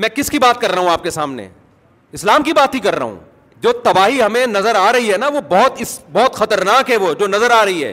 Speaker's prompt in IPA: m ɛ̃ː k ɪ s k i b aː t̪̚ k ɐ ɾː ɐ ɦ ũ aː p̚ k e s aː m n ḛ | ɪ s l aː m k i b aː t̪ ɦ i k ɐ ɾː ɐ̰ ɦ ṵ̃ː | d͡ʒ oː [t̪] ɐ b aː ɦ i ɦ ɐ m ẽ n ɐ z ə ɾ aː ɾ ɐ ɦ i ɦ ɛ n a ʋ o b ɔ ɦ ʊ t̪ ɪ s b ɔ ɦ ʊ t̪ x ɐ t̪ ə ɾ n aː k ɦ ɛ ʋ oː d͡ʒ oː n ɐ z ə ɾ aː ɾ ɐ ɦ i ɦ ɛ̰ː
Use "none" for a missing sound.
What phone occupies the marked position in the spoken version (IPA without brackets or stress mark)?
t̪